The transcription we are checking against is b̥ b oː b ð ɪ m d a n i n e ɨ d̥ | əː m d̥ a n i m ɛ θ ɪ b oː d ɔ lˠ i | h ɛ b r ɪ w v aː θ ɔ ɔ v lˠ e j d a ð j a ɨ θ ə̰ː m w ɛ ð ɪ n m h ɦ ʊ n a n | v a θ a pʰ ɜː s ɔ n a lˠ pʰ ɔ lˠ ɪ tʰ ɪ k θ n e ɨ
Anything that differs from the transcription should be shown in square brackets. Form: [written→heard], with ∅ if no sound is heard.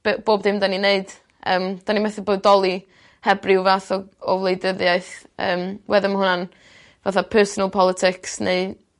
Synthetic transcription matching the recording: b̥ b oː b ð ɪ m d a n i n e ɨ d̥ | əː m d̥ a n i m ɛ θ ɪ b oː d ɔ lˠ i | h ɛ b r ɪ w v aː θ ɔ ɔ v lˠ e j d [a→ə] ð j a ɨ θ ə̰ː m w ɛ ð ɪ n m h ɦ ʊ n a n | v a θ a pʰ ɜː s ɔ n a lˠ pʰ ɔ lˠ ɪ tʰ ɪ k [θ→s] n e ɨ